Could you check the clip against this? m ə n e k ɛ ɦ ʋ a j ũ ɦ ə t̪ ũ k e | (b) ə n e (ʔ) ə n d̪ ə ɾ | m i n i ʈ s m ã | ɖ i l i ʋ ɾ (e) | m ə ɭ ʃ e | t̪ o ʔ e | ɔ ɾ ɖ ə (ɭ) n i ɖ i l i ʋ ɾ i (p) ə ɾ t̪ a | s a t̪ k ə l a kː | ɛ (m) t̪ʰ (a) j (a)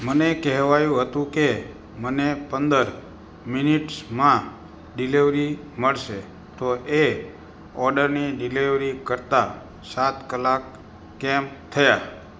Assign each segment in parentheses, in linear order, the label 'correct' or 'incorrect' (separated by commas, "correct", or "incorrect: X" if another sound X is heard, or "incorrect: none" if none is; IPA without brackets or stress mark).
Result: incorrect: m, incorrect: p, incorrect: i, incorrect: ɾ, incorrect: k, correct, incorrect: ə, correct